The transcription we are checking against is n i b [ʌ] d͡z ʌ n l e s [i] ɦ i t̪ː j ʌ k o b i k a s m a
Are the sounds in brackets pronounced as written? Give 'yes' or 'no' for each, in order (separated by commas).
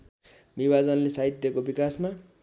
no, no